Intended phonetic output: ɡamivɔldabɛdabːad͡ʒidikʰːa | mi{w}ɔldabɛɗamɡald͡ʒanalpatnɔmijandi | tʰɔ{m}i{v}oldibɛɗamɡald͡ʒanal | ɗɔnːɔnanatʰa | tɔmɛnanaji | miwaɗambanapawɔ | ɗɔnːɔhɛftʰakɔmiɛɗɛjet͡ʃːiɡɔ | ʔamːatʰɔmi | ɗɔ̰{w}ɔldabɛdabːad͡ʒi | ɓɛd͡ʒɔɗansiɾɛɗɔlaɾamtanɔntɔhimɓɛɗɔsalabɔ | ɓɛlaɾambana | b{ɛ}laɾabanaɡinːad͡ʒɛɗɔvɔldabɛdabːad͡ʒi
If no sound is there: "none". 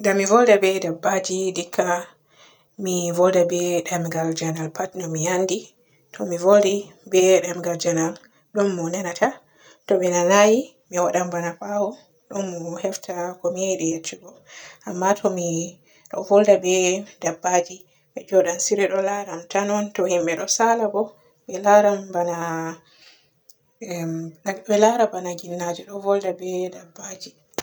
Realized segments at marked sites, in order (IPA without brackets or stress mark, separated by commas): v, m, v, v, ɛ